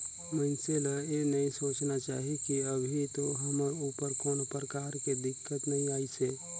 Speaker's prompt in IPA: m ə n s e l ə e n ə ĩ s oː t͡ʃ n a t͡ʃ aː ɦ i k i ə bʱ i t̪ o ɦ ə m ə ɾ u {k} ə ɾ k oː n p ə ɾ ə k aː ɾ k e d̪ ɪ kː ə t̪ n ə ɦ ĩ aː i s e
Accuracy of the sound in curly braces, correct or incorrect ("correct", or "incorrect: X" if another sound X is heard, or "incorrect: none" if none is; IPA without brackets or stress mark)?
incorrect: p